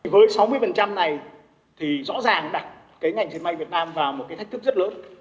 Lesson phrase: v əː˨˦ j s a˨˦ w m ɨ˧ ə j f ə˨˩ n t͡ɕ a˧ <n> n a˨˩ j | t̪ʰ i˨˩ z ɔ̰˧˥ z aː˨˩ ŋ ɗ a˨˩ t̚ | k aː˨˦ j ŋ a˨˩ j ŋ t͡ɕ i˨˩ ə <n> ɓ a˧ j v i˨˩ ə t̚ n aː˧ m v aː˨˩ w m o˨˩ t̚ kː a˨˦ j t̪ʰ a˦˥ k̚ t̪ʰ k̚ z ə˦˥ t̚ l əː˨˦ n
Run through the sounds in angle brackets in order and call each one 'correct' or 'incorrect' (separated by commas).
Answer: incorrect, correct